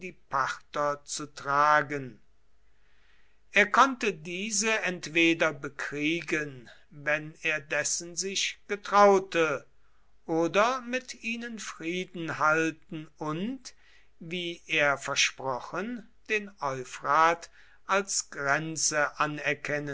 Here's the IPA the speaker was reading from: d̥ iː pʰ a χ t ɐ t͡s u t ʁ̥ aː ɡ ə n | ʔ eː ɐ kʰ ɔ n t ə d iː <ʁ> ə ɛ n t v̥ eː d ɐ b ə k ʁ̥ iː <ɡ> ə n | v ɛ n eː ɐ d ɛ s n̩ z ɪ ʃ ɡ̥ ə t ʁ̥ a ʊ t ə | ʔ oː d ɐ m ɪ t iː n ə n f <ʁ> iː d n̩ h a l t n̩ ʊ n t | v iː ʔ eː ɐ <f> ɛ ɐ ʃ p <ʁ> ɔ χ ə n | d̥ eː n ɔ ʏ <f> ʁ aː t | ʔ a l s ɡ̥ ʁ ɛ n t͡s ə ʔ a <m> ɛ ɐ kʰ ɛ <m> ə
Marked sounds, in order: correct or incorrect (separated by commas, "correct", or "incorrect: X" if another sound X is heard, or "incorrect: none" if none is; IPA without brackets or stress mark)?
incorrect: z, correct, correct, correct, correct, correct, incorrect: n, incorrect: n